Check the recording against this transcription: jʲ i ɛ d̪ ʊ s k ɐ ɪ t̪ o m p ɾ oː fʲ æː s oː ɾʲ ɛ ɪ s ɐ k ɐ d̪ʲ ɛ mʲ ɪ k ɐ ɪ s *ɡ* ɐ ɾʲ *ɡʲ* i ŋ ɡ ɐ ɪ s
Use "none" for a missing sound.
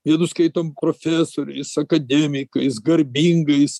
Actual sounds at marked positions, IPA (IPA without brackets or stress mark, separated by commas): ɡ, bʲ